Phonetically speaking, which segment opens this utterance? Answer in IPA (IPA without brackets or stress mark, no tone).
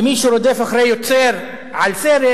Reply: m